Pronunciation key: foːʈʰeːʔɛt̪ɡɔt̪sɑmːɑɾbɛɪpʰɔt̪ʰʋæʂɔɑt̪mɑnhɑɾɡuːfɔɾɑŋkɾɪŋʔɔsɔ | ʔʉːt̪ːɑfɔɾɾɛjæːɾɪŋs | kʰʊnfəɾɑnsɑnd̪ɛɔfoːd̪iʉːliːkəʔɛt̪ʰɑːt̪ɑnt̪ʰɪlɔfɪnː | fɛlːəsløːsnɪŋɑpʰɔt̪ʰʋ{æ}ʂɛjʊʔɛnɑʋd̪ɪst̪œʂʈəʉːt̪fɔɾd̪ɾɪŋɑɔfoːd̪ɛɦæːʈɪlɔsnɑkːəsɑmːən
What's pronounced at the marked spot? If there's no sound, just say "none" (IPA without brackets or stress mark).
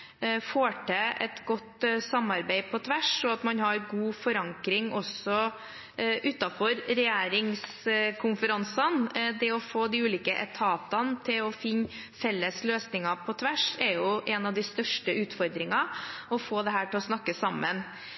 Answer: æ